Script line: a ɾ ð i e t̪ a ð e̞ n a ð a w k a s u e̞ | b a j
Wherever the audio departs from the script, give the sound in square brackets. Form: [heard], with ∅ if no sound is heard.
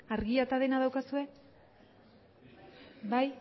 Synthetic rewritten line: a ɾ [ɣ] i [a] t̪ a ð e̞ n a ð a w k a s u e̞ | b a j

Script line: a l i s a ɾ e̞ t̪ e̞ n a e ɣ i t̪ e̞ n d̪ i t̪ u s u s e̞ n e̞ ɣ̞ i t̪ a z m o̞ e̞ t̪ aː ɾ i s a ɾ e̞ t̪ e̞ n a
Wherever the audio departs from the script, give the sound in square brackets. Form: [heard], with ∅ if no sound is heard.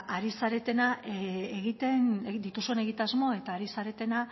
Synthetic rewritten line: a [ɾ] i s a ɾ e̞ t̪ e̞ n a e ɣ i t̪ e̞ n d̪ i t̪ u s u [∅] e̞ n e̞ ɣ̞ i t̪ a z m o̞ e̞ t̪ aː ɾ i s a ɾ e̞ t̪ e̞ n a

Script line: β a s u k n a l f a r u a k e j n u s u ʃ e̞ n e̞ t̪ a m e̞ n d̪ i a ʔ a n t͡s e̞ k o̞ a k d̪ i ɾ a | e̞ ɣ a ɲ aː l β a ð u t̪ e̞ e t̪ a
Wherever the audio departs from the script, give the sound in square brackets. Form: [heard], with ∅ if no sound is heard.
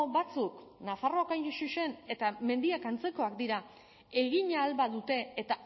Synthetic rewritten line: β a [t͡s] u k n a [∅] f a r [o] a k [a] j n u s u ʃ e̞ n e̞ t̪ a m e̞ n d̪ i a [k] a n t͡s e̞ k o̞ a k d̪ i ɾ a | e̞ ɣ [i] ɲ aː l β a ð u t̪ e̞ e t̪ a

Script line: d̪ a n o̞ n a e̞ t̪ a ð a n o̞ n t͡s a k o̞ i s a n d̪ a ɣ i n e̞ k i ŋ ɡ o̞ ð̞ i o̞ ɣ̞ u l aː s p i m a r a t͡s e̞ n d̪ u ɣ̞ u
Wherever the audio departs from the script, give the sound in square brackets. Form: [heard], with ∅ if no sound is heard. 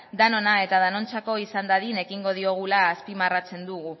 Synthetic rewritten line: d̪ a n o̞ n a e̞ t̪ a ð a n o̞ n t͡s a k o̞ i s a n d̪ a [ð] i n e̞ k i ŋ ɡ o̞ ð̞ i o̞ ɣ̞ u l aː s p i m a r a t͡s e̞ n d̪ u ɣ̞ u

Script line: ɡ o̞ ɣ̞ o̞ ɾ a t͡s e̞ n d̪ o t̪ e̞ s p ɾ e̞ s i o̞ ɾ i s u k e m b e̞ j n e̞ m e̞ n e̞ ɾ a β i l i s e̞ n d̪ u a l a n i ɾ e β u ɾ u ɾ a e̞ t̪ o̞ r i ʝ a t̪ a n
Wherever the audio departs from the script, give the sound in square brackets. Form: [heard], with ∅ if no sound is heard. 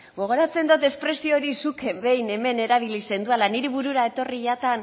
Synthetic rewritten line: ɡ o̞ ɣ̞ o̞ ɾ a t͡s e̞ n d̪ o t̪ e̞ s p ɾ e̞ s i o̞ ɾ i s u k e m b e̞ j n e̞ m e̞ n e̞ ɾ a β i l i s e̞ n d̪ u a l a n i ɾ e β u ɾ u ɾ a e̞ t̪ o̞ r i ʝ a t̪ a n

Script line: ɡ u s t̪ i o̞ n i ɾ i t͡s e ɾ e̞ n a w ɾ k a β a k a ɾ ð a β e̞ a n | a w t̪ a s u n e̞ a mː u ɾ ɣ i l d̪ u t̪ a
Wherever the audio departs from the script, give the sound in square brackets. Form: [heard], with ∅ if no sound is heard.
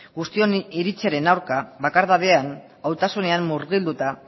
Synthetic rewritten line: ɡ u s t̪ i o̞ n i ɾ i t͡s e ɾ e̞ n a w ɾ k a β a k a ɾ ð a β e̞ a n | a w t̪ a s u n e̞ a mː u ɾ ɣ i l d̪ u t̪ a

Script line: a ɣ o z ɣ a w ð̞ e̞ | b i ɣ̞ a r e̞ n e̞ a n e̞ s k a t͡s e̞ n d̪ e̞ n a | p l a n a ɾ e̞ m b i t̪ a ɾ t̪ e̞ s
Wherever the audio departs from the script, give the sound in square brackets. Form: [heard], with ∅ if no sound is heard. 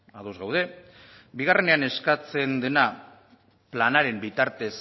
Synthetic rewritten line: a [ð] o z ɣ a w ð̞ e̞ | b i ɣ̞ a r e̞ n e̞ a n e̞ s k a t͡s e̞ n d̪ e̞ n a | p l a n a ɾ e̞ m b i t̪ a ɾ t̪ e̞ s

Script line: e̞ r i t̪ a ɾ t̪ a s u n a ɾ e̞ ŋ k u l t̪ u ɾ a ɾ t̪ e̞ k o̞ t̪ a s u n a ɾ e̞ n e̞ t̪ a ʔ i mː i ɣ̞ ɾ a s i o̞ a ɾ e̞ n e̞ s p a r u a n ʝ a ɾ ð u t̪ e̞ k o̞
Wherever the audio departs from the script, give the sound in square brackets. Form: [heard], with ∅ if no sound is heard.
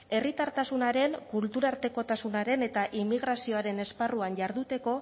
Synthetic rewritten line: e̞ r i t̪ a ɾ t̪ a s u n a ɾ e̞ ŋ k u l t̪ u ɾ a ɾ t̪ e̞ k o̞ t̪ a s u n a ɾ e̞ n e̞ t̪ a ʔ i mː i ɣ̞ ɾ a s i o̞ a ɾ e̞ n e̞ s p a r u a n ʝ a ɾ ð u t̪ e̞ k o̞

